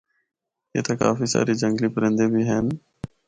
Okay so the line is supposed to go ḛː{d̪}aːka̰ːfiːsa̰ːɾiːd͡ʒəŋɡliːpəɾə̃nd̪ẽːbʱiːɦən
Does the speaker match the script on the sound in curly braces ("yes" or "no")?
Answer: no